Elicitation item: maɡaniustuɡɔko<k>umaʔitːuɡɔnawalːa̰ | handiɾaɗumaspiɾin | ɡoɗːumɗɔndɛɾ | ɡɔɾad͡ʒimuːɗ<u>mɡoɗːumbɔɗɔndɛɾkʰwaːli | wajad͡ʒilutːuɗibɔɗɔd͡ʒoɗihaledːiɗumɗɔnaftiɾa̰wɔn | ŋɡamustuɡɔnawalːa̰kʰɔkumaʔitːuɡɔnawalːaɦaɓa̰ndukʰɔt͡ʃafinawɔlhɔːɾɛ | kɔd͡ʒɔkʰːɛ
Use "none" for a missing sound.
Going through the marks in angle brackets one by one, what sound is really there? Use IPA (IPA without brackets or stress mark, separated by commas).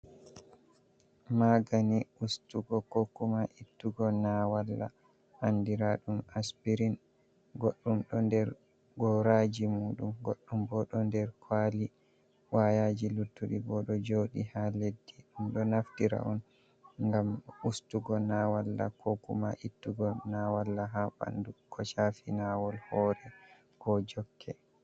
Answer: k, u